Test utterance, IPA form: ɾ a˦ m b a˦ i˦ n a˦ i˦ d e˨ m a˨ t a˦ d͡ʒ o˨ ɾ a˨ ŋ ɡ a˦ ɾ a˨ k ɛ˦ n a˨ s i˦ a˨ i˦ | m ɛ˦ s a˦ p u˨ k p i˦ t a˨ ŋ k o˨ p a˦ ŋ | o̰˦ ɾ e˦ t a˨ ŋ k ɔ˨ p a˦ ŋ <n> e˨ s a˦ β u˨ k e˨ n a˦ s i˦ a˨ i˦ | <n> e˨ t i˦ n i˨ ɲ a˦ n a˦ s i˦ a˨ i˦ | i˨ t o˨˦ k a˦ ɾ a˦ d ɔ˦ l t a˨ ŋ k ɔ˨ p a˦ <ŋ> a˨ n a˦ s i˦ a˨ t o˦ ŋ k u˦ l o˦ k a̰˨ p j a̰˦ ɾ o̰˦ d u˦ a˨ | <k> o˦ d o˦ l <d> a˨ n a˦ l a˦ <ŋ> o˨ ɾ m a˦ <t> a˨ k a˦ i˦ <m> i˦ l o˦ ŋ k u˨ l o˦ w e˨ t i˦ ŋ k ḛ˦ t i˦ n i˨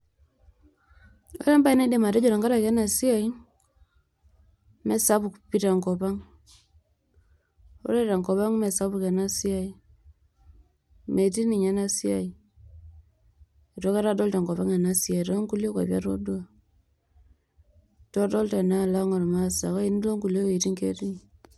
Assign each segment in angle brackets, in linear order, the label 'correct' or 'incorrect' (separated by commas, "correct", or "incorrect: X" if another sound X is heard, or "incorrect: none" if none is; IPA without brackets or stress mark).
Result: incorrect: m, incorrect: m, correct, incorrect: t, incorrect: t, correct, incorrect: s, incorrect: n